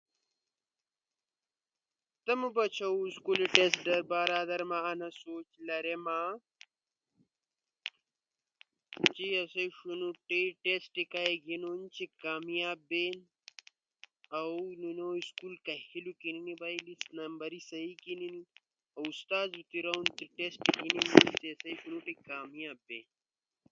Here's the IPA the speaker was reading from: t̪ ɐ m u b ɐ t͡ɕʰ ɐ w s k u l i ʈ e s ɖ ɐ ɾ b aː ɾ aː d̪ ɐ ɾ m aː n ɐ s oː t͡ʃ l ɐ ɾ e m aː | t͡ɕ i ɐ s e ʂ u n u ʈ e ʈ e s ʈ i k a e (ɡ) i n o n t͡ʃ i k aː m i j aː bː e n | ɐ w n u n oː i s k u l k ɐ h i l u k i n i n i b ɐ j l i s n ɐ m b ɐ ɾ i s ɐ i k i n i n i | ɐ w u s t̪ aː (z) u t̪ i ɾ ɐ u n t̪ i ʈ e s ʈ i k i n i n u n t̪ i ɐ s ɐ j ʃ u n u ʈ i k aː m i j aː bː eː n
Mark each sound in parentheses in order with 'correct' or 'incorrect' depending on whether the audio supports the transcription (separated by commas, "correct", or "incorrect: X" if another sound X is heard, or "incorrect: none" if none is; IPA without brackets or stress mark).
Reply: correct, correct